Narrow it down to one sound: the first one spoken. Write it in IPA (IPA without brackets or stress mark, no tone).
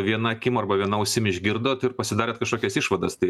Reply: ʋʲ